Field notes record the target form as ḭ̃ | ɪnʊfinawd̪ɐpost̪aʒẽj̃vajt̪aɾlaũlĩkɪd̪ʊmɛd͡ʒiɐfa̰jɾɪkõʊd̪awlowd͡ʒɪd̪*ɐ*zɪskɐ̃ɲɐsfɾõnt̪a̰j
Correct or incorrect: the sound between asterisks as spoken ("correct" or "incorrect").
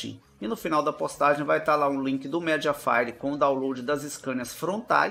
correct